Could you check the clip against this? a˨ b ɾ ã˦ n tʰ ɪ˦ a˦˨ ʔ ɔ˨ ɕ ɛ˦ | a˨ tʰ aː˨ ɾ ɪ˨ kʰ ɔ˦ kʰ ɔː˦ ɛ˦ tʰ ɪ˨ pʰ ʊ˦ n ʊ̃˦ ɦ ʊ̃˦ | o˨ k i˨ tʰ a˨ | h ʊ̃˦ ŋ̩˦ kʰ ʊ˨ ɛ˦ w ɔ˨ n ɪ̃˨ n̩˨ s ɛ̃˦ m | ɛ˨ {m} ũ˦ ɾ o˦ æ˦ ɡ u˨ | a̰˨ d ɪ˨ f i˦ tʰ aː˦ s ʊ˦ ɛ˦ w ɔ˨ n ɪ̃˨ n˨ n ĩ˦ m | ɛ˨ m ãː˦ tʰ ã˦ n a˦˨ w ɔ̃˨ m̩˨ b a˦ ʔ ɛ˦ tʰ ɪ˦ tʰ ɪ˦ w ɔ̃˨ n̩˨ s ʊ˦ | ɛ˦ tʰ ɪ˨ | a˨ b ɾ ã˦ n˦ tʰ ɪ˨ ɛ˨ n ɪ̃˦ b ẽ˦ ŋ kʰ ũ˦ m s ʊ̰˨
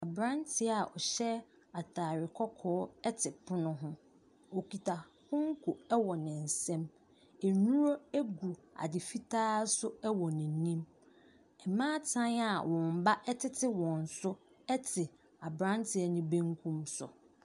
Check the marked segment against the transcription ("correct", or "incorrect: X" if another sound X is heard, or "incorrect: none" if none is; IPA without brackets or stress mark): incorrect: n